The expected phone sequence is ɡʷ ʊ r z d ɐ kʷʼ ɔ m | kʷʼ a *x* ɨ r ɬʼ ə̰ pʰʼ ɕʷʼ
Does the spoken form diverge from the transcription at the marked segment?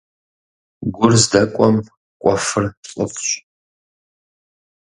yes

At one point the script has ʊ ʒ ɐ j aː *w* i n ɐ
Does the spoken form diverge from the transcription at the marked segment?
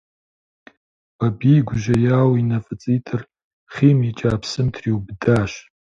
no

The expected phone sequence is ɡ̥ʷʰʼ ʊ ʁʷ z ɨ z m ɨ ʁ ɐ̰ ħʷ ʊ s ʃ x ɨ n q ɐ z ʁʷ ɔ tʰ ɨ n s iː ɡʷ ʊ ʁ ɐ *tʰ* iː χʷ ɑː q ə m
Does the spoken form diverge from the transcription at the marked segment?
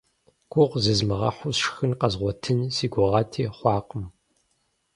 no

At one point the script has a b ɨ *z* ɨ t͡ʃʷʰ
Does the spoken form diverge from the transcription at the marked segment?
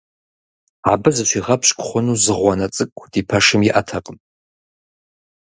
no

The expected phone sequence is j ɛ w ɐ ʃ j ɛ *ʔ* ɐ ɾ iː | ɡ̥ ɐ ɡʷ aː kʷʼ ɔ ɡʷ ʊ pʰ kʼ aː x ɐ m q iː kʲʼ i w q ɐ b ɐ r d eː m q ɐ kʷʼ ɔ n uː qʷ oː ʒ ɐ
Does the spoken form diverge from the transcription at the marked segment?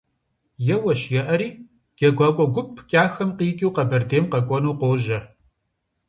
no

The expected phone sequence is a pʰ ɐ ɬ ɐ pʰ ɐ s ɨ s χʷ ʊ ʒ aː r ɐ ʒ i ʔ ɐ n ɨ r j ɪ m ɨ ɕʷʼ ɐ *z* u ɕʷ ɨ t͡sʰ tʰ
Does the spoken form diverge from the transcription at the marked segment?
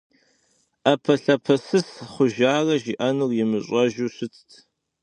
yes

